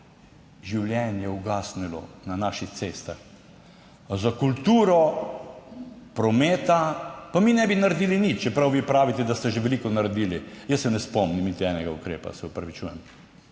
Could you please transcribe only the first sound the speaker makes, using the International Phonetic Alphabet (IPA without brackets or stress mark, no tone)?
ʒ